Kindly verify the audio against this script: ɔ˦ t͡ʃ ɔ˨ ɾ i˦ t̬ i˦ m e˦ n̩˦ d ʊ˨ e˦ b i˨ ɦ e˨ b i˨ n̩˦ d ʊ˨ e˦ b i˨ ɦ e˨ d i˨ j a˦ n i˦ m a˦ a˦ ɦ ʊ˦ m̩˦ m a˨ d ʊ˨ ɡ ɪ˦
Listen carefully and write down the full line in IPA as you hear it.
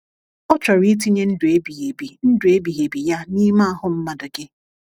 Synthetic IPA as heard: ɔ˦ t͡ʃ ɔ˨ ɾ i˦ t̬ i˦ ɲ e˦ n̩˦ d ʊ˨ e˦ b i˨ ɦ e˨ b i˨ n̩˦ d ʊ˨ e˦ b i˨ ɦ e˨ b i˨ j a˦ n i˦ m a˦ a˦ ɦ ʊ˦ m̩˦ m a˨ d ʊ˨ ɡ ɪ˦